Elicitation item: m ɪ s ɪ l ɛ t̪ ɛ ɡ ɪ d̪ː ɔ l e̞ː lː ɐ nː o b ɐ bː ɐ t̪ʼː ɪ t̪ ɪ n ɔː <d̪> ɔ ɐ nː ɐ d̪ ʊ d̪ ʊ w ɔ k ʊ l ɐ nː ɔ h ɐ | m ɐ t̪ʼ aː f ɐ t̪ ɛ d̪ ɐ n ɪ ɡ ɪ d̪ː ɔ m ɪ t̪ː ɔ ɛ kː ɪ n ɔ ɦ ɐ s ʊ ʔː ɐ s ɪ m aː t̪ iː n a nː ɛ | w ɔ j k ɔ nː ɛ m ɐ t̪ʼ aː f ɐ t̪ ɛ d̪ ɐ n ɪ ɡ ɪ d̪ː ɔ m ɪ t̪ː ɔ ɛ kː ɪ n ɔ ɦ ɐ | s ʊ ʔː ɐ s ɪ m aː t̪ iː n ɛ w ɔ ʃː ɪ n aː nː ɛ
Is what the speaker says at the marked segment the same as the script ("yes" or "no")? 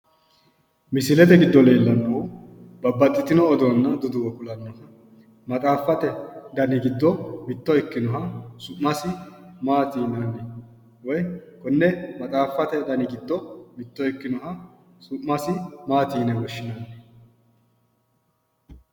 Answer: yes